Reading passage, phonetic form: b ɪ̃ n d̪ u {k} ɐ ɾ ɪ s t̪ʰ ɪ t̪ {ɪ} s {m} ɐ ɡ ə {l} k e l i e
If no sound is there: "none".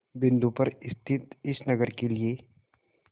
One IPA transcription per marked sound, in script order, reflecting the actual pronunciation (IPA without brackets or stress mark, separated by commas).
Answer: p, ɪ, n, ɾ